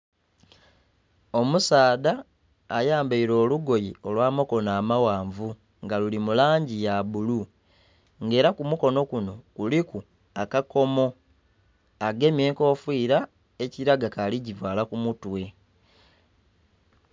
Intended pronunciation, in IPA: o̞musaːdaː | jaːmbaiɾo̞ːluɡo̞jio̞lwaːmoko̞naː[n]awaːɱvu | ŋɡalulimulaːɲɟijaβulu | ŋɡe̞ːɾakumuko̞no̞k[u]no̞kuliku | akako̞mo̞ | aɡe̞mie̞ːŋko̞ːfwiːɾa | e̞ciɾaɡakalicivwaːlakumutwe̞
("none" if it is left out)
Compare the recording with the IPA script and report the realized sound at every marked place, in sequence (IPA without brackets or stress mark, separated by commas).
m, u